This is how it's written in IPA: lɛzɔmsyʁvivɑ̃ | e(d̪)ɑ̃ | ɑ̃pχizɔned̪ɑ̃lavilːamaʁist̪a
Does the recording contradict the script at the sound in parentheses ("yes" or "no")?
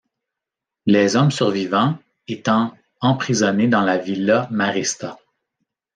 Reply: yes